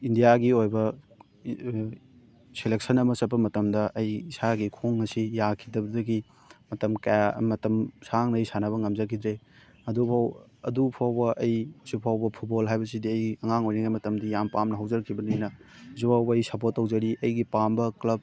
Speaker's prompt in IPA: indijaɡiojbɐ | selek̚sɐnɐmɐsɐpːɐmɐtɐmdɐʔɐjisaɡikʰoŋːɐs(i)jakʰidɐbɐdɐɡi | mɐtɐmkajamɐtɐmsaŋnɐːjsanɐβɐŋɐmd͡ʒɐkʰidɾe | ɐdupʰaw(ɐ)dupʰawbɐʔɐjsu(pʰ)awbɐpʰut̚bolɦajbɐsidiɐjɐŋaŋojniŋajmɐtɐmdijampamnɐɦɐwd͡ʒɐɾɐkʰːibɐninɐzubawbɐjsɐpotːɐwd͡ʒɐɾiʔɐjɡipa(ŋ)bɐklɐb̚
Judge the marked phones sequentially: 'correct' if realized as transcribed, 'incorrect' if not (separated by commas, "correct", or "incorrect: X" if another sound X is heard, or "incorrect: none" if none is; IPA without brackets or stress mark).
correct, correct, correct, incorrect: m